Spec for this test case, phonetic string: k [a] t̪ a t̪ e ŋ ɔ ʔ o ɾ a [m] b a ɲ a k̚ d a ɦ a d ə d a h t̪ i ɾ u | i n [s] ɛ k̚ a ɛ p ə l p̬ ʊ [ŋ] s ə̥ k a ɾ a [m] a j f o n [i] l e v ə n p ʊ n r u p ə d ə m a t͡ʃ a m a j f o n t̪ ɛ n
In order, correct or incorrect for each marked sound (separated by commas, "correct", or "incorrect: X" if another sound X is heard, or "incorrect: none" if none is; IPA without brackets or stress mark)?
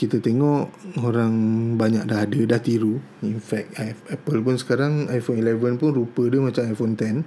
incorrect: i, incorrect: ŋ, incorrect: f, incorrect: n, incorrect: ŋ, correct